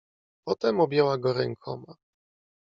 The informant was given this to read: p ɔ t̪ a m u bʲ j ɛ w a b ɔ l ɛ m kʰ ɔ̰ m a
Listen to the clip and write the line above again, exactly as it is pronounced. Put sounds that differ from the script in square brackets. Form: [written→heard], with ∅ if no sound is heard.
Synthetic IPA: p ɔ t̪ [a→ɛ] m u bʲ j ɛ w a [b→ɡ] ɔ [l→ɾ] ɛ [m→ŋ] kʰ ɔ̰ m a